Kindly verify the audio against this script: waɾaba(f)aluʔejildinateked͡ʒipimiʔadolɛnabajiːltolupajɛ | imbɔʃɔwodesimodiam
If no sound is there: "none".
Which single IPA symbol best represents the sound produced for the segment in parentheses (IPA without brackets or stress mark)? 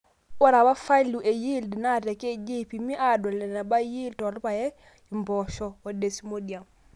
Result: f